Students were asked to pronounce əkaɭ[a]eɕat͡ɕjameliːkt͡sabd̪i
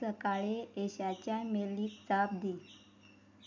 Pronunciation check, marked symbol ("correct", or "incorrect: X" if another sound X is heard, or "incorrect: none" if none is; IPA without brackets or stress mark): incorrect: e